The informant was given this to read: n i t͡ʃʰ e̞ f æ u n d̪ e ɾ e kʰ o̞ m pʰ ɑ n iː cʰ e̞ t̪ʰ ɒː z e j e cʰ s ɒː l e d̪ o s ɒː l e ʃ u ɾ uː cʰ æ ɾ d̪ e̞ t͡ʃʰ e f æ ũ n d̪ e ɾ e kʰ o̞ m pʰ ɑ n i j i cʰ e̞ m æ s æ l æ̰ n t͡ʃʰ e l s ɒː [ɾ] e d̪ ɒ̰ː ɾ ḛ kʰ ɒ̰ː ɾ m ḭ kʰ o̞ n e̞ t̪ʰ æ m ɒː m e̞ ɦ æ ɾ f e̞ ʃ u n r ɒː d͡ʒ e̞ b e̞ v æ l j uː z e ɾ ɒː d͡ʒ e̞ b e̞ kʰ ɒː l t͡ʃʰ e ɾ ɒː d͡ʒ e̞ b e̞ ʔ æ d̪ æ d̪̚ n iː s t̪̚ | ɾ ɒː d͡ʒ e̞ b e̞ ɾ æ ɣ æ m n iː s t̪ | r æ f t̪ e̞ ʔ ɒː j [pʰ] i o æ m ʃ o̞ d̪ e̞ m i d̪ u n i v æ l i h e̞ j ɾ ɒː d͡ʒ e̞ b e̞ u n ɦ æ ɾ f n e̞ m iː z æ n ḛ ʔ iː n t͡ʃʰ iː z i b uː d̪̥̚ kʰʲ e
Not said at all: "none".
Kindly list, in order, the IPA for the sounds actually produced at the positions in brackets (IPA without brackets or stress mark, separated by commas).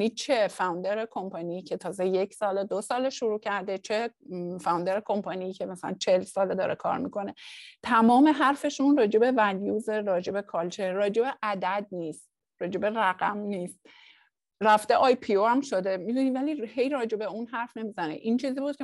l, pʰ